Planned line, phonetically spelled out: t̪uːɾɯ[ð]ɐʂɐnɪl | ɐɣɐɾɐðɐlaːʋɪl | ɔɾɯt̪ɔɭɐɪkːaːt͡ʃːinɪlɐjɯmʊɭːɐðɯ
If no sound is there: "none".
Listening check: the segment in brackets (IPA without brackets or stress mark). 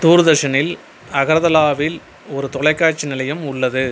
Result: ð